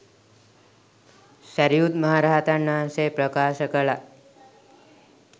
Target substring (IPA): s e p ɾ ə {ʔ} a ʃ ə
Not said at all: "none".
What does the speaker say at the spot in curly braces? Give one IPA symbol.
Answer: k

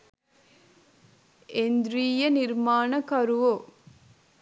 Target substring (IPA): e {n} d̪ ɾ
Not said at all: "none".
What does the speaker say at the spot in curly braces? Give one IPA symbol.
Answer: n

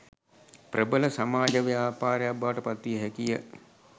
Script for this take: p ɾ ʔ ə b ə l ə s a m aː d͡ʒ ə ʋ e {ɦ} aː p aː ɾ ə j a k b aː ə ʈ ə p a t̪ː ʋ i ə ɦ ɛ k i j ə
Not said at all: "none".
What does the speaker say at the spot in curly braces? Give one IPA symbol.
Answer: none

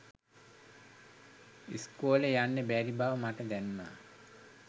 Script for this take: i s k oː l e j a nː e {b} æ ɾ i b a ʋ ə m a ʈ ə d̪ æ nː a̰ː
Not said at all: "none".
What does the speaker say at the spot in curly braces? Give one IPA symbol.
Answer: b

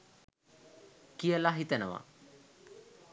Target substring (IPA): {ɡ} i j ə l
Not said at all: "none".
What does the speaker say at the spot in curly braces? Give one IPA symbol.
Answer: k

